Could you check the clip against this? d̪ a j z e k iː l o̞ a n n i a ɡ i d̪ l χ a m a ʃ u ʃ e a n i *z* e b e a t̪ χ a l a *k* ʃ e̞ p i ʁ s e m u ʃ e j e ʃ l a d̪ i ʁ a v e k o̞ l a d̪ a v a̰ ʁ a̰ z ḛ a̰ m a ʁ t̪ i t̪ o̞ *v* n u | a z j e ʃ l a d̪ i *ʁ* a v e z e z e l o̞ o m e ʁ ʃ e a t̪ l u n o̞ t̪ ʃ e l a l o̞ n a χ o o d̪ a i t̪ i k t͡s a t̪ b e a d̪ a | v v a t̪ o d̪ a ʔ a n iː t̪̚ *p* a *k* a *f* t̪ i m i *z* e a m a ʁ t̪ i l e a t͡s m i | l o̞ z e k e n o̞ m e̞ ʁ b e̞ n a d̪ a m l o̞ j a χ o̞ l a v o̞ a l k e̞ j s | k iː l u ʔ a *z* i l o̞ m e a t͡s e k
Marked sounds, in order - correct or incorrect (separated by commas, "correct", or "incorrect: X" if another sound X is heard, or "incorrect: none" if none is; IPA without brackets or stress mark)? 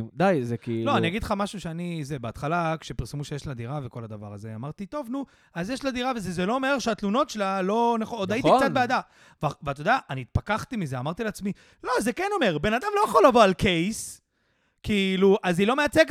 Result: correct, correct, correct, correct, correct, correct, incorrect: χ, correct, correct